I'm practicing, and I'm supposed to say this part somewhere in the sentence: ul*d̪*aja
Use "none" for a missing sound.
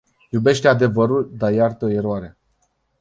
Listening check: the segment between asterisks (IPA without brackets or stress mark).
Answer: d̪